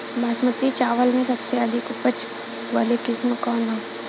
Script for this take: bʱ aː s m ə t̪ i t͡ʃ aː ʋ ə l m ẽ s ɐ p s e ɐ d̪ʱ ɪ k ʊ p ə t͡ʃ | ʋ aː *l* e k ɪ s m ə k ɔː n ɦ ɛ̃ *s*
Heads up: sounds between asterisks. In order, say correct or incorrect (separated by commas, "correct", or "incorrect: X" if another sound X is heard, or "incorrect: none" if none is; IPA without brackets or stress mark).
correct, incorrect: none